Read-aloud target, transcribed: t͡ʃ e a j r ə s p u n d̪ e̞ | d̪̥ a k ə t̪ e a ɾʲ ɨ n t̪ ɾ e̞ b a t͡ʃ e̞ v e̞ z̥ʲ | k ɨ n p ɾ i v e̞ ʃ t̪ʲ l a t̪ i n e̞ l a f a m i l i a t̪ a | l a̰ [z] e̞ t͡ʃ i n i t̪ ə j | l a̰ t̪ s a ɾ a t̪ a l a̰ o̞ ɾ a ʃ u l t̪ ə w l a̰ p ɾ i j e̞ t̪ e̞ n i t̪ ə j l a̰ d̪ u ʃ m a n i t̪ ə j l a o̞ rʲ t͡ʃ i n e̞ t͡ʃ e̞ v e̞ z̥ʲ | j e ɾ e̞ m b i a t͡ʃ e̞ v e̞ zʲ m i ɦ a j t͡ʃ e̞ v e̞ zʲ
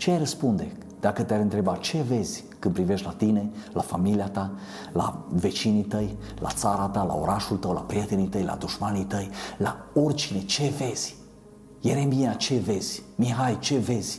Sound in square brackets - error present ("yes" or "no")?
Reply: yes